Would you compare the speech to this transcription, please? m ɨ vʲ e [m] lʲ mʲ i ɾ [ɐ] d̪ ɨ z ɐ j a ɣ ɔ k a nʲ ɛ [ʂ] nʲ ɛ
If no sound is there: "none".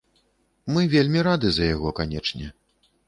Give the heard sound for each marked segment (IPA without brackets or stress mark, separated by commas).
none, a, t͡ʂ